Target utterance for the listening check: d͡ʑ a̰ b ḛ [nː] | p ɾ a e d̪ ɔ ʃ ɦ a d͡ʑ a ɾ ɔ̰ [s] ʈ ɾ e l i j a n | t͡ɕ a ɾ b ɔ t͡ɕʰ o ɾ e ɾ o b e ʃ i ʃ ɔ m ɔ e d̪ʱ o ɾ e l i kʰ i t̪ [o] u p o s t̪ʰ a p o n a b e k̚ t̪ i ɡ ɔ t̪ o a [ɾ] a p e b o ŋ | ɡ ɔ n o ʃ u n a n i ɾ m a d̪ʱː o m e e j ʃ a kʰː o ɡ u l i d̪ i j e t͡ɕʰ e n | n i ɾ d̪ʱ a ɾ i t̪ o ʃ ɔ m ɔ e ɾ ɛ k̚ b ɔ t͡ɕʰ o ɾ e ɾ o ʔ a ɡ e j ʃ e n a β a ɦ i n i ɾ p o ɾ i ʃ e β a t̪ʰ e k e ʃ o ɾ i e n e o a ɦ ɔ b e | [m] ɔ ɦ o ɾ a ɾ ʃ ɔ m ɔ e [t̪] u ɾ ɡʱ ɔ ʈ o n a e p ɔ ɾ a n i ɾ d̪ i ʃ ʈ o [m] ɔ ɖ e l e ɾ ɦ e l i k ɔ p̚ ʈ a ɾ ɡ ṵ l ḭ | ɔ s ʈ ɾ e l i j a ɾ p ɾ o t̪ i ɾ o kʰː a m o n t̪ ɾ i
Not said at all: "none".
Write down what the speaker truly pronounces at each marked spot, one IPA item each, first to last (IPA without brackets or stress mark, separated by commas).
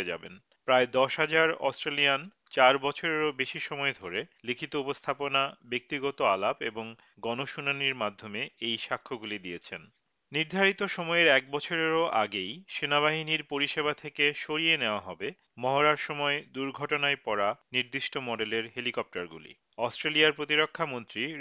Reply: n, s, o, l, m, d̪, m